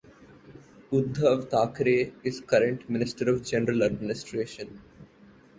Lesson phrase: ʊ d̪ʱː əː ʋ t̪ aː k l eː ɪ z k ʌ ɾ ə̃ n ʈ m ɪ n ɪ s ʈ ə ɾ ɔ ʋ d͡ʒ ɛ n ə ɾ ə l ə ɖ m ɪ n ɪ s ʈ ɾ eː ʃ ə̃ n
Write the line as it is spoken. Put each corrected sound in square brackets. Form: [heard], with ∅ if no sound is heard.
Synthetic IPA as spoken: ʊ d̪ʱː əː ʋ t̪ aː k [ɾ] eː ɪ z k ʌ ɾ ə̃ [ɳ] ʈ m ɪ n ɪ s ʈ ə ɾ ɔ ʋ d͡ʒ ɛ n ə ɾ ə l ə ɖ m ɪ n ɪ s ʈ ɾ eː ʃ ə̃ n